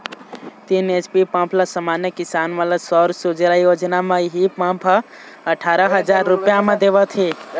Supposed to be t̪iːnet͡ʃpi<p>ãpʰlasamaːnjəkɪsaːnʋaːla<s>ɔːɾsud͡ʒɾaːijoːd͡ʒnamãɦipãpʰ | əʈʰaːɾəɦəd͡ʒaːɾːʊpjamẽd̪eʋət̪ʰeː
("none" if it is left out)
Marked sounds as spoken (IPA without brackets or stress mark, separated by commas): p, s